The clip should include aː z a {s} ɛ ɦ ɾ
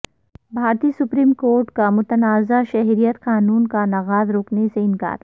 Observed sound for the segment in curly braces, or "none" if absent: ʃ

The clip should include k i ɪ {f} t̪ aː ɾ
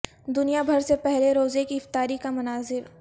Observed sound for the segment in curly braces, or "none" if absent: f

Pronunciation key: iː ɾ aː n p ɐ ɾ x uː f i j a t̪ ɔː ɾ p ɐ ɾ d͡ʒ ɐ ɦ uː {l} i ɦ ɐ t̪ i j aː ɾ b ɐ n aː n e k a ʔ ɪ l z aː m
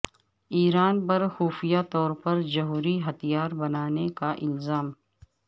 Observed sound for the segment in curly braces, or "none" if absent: ɾ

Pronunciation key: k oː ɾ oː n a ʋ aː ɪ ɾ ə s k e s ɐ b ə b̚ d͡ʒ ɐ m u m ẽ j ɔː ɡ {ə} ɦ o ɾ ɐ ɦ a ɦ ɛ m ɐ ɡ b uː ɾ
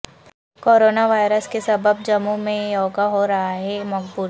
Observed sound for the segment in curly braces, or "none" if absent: a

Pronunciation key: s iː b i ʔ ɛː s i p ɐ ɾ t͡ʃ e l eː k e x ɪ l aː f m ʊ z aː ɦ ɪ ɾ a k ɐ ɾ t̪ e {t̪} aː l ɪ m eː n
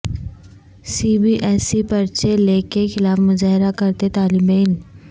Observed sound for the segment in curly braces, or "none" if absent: t̪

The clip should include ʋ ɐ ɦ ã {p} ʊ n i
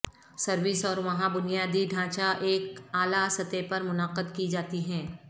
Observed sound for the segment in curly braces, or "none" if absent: b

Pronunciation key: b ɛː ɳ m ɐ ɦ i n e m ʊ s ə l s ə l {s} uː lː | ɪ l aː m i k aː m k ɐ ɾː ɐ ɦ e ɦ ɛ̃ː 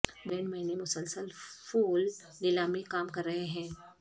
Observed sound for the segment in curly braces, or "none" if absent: f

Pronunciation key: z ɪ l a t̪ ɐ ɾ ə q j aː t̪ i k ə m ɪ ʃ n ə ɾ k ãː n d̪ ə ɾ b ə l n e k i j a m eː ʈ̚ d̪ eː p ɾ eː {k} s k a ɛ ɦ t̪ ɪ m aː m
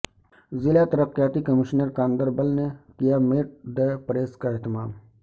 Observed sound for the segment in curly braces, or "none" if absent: none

